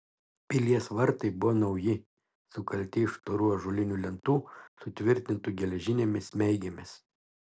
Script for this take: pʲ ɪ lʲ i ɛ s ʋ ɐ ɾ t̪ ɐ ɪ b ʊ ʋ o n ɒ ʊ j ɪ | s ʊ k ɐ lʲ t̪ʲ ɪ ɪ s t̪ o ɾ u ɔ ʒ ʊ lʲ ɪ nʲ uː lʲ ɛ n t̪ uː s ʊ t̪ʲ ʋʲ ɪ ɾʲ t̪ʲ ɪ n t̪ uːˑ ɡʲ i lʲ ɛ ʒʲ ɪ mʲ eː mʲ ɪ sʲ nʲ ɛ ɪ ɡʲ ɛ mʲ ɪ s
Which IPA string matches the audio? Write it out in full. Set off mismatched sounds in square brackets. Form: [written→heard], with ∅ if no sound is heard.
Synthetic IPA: pʲ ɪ lʲ i ɛ s ʋ ɐ ɾ t̪ ɐ ɪ b ʊ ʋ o n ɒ ʊ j ɪ | s ʊ k ɐ lʲ t̪ʲ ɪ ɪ [s→ʃ] t̪ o ɾ u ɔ ʒ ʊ lʲ ɪ nʲ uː lʲ ɛ n t̪ uː s ʊ t̪ʲ ʋʲ ɪ ɾʲ t̪ʲ ɪ n t̪ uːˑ ɡʲ [i→ɛ] lʲ ɛ ʒʲ ɪ [mʲ→nʲ] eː mʲ ɪ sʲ [nʲ→mʲ] ɛ ɪ ɡʲ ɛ mʲ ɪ s

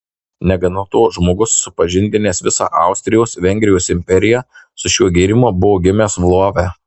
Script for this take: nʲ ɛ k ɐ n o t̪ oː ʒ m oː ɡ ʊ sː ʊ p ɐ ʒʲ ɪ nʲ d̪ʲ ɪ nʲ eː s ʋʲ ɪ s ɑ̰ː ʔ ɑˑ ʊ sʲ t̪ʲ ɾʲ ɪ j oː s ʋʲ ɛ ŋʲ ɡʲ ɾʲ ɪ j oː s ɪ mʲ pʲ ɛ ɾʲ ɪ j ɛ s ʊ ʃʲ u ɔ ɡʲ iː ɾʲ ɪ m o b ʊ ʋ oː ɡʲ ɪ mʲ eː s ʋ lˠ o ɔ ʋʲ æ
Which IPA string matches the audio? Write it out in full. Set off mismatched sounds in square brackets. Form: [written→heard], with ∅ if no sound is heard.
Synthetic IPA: nʲ ɛ [k→ɡ] ɐ n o t̪ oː ʒ m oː ɡ ʊ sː ʊ p ɐ ʒʲ ɪ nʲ d̪ʲ ɪ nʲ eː s ʋʲ ɪ s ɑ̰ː ʔ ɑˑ ʊ sʲ t̪ʲ ɾʲ ɪ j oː s ʋʲ ɛ ŋʲ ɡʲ ɾʲ ɪ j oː s ɪ mʲ pʲ ɛ ɾʲ ɪ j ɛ s ʊ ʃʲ u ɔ ɡʲ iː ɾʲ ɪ m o b ʊ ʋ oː ɡʲ ɪ mʲ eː s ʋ lˠ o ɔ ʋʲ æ

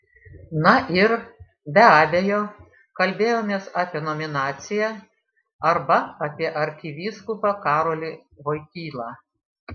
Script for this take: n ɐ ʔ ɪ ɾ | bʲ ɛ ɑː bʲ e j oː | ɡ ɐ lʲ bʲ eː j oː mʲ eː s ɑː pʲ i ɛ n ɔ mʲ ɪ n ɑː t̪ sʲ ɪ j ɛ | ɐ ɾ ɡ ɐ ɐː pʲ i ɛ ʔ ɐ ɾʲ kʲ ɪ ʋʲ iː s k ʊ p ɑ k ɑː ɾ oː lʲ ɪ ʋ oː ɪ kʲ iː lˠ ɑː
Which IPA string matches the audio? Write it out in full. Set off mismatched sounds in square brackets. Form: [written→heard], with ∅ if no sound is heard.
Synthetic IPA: n ɐ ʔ ɪ ɾ | bʲ ɛ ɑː bʲ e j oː | [ɡ→k] ɐ lʲ bʲ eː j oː mʲ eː s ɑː pʲ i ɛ n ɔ mʲ ɪ n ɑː t̪ sʲ ɪ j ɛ | ɐ ɾ [ɡ→b] ɐ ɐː pʲ i ɛ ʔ ɐ ɾʲ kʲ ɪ ʋʲ iː s k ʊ p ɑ k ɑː ɾ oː lʲ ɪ ʋ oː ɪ kʲ iː lˠ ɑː

